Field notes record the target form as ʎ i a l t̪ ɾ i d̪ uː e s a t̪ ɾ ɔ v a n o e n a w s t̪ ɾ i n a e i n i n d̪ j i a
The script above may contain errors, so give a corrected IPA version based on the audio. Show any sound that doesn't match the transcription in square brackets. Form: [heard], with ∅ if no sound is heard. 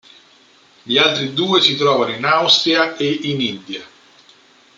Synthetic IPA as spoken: ʎ i a l t̪ ɾ i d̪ uː e s [i] t̪ ɾ [ɔː] v a n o [i] n a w s t̪ ɾ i [∅] a e i n i n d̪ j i a